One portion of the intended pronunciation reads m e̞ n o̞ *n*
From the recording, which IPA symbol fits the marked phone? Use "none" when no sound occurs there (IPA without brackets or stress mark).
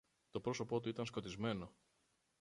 none